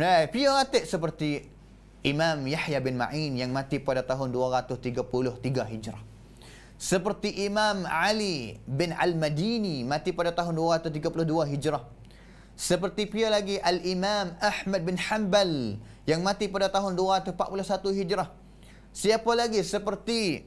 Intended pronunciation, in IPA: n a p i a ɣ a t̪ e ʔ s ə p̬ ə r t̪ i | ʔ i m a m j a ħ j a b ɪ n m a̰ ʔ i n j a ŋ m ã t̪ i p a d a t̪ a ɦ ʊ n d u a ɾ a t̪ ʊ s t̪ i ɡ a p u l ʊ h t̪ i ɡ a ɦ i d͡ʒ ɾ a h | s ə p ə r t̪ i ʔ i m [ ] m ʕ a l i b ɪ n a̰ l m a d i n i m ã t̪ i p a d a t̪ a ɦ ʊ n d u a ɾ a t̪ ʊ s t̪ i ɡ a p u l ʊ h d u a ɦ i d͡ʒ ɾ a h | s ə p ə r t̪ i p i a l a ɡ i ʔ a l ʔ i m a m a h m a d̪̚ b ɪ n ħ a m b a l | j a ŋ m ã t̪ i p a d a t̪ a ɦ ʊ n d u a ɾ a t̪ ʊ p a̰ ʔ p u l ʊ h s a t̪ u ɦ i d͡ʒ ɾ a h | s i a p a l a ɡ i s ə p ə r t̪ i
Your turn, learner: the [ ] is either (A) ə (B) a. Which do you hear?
B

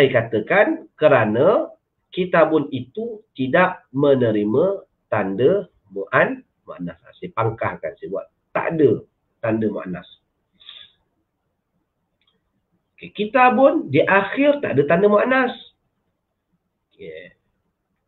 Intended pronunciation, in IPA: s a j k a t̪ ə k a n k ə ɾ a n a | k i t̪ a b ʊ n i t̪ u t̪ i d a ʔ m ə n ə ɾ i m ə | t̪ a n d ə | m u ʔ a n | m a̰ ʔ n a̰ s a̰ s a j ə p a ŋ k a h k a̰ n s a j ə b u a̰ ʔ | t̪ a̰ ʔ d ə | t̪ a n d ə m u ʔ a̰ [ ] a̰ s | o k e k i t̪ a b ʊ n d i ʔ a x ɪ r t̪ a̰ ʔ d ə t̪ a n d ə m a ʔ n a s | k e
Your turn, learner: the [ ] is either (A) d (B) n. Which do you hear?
B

